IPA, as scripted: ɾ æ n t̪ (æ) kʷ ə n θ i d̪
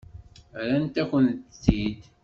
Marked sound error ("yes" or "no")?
no